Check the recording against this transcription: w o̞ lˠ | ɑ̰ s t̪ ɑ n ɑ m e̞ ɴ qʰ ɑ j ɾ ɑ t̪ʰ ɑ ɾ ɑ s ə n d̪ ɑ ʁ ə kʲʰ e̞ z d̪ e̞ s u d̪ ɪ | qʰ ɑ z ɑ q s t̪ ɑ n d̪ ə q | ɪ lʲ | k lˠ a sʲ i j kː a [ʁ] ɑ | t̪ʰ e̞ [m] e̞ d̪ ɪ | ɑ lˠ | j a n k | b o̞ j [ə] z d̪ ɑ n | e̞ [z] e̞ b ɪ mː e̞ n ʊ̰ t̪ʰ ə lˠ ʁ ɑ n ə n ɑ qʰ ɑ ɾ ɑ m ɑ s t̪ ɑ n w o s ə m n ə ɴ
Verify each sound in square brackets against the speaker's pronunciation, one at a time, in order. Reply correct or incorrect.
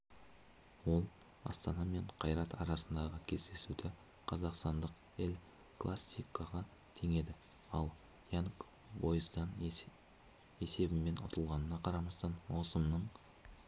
correct, incorrect: ŋ, correct, incorrect: s

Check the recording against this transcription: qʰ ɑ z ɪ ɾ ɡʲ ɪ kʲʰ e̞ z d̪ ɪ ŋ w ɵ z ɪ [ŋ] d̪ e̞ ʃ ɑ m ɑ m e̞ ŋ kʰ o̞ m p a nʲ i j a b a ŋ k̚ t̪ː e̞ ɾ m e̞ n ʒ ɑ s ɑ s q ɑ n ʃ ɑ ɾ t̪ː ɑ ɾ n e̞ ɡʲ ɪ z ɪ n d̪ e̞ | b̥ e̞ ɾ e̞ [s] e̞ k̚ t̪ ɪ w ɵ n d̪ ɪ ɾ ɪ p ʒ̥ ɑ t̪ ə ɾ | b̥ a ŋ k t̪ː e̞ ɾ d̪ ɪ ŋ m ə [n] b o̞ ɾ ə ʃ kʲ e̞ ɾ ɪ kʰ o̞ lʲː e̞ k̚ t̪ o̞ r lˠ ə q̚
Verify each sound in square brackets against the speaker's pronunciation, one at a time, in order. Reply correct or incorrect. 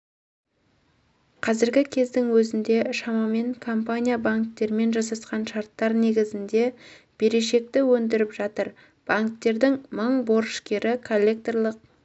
incorrect: n, incorrect: ʃ, incorrect: ɴ

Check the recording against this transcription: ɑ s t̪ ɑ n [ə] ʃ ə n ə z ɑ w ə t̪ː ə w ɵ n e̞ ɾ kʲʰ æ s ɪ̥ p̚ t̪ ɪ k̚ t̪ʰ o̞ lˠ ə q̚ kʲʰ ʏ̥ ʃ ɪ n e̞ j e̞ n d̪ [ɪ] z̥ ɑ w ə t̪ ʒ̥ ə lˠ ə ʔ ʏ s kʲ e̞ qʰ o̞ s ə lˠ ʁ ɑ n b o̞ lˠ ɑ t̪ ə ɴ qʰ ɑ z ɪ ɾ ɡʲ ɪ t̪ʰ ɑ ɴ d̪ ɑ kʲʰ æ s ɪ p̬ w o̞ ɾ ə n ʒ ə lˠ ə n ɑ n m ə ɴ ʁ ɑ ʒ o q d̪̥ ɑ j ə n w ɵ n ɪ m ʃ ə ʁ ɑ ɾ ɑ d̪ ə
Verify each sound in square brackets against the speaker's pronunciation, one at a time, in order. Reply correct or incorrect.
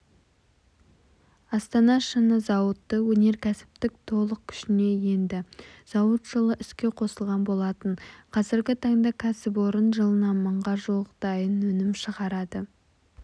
incorrect: ɑ, correct

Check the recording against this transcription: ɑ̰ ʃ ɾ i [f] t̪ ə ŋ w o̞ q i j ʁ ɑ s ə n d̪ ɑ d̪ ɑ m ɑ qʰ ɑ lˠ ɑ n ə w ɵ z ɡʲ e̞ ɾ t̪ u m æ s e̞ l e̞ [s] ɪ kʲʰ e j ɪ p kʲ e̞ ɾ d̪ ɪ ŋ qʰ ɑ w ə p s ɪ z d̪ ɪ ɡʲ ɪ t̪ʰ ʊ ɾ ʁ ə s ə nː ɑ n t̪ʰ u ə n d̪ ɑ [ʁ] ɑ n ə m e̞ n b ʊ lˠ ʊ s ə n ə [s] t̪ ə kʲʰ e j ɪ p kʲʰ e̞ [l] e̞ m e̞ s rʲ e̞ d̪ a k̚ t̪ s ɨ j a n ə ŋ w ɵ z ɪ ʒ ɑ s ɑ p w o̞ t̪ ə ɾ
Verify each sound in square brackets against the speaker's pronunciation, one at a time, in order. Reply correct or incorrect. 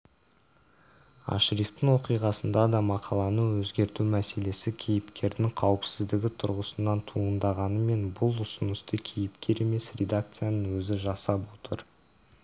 correct, correct, correct, correct, incorrect: ɾ

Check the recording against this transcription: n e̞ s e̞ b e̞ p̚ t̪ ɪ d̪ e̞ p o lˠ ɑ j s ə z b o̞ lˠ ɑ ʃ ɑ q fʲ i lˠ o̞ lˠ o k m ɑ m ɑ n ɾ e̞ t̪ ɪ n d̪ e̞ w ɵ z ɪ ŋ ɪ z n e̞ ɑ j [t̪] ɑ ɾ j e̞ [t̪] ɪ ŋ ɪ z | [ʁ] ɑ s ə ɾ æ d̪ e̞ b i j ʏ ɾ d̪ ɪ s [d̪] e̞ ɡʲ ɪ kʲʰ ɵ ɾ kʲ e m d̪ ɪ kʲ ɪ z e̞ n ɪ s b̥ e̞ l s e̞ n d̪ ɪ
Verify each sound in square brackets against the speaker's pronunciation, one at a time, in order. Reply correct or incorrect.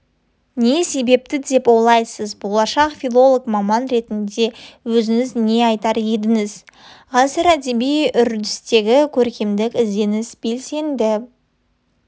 correct, incorrect: d̪, correct, incorrect: t̪

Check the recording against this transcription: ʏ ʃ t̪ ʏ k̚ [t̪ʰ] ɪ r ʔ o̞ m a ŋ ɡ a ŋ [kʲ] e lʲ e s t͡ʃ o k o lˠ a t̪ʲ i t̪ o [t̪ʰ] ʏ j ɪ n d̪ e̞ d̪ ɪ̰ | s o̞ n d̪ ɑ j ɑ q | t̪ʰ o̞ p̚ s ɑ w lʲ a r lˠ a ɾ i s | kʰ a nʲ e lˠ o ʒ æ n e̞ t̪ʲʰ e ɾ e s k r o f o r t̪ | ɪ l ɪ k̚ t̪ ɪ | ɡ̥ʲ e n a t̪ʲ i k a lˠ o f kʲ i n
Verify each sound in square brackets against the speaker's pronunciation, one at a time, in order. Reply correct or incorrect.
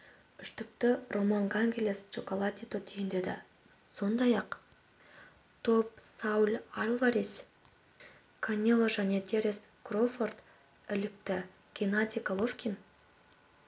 incorrect: t̪, incorrect: ɡʲ, correct

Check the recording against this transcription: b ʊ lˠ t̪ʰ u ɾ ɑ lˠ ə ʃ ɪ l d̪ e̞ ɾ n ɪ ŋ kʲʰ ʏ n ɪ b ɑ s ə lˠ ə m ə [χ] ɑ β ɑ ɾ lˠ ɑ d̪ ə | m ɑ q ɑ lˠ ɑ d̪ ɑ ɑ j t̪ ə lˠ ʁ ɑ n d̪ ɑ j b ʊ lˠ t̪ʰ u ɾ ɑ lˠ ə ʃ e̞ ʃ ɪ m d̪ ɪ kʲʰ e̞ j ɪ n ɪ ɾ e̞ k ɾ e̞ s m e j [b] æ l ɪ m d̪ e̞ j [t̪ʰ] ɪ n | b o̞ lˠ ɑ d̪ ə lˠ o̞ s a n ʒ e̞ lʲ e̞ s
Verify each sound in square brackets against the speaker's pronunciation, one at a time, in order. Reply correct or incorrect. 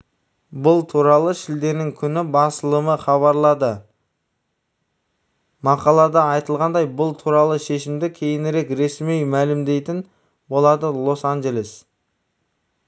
correct, incorrect: m, incorrect: t̪

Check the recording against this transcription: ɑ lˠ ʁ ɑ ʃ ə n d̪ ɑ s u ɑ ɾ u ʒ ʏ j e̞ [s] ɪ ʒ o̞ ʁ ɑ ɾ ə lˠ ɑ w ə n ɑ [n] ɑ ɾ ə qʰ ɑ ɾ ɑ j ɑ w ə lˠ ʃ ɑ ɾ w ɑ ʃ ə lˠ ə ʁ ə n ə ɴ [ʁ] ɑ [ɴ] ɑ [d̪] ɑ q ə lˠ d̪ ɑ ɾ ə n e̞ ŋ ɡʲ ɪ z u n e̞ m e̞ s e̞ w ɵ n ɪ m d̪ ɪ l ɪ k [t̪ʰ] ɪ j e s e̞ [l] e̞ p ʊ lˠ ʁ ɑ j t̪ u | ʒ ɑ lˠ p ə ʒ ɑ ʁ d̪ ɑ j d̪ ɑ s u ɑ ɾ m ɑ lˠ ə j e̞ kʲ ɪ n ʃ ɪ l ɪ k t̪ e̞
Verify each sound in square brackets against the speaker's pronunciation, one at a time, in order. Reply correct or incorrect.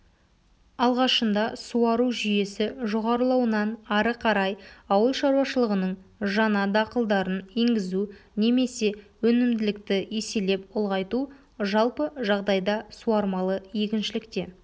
correct, correct, incorrect: ʒ, incorrect: n, correct, incorrect: t̪, correct

